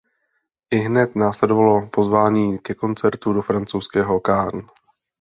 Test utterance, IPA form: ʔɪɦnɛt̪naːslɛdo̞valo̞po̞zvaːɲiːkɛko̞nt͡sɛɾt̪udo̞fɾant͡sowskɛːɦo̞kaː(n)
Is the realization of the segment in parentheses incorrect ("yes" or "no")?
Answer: no